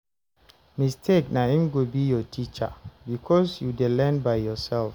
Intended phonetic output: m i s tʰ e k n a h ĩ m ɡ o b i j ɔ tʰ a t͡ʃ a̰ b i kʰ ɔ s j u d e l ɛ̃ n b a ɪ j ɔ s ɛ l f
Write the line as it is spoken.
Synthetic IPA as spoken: m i s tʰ e k n a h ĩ m ɡ o b i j ɔ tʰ i t͡ʃ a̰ b i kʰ ɔ s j u d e l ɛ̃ n b a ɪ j ɔ s ɛ l f